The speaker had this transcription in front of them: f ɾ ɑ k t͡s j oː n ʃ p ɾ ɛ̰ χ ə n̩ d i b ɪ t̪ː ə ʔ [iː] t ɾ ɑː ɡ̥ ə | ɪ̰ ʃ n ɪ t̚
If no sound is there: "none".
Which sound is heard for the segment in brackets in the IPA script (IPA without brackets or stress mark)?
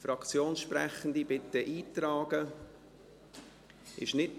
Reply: iː